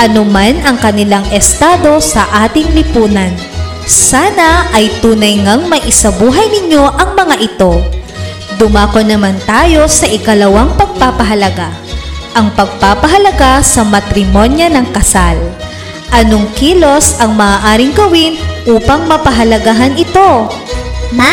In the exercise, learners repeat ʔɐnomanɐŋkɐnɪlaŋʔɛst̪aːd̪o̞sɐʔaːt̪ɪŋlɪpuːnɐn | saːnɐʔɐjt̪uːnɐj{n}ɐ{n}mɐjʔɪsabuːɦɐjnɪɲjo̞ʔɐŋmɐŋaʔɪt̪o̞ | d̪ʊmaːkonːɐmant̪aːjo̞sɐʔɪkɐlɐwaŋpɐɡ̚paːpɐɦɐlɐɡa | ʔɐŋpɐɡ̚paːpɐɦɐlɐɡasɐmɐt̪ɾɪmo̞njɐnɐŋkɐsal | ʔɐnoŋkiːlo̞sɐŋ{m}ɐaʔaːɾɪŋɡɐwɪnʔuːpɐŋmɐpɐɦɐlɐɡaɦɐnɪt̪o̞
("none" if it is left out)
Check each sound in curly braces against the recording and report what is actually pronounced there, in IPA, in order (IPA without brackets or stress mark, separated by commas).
ŋ, ŋ, m